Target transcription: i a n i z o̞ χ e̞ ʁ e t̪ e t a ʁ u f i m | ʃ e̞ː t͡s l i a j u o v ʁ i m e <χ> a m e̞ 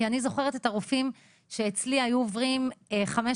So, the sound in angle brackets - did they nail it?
yes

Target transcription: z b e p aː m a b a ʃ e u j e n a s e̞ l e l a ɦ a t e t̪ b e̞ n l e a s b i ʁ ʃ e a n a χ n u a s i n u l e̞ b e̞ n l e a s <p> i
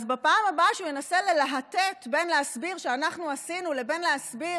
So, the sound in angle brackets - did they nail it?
no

